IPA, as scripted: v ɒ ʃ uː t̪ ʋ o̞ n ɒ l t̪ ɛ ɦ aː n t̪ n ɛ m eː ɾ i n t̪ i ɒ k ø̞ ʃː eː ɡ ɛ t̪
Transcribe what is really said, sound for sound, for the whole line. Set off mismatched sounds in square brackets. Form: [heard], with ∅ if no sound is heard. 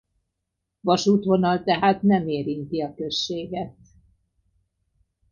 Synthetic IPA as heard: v ɒ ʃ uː t̪ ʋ o̞ n ɒ l t̪ ɛ ɦ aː [∅] t̪ n ɛ m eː ɾ i n t̪ i ɒ k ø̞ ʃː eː ɡ ɛ t̪